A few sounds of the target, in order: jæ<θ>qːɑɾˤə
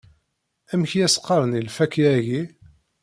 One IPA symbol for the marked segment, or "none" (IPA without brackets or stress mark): s